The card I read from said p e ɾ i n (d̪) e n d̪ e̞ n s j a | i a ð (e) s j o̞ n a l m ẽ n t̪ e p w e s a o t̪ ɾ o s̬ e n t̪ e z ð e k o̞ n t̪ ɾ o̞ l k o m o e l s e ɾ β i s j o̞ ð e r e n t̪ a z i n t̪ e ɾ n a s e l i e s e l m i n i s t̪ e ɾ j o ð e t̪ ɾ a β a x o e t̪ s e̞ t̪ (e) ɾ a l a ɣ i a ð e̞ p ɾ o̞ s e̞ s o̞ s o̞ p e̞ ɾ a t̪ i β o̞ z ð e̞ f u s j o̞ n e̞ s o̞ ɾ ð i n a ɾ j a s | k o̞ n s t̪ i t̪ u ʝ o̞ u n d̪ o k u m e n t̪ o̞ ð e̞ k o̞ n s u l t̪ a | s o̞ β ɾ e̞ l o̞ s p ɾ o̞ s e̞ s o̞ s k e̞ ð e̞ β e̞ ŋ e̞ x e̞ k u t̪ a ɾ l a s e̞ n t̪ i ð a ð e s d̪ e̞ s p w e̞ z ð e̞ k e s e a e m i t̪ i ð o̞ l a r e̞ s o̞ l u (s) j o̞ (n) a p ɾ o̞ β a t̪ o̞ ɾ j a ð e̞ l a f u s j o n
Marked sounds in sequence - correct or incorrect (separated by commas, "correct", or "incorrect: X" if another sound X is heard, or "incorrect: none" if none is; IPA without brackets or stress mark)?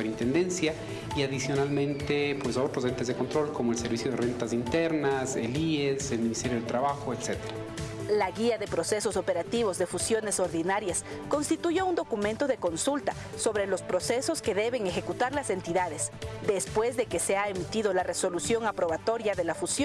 incorrect: t̪, incorrect: i, correct, correct, incorrect: ŋ